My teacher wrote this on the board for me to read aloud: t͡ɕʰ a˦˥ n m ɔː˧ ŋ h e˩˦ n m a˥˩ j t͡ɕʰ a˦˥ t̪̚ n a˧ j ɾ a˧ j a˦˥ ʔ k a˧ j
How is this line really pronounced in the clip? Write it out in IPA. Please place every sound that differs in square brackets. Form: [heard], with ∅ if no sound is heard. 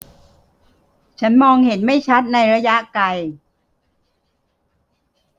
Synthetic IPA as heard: t͡ɕʰ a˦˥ n m ɔː˧ ŋ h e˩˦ n m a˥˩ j t͡ɕʰ a˦˥ t̪̚ n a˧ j ɾ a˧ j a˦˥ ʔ k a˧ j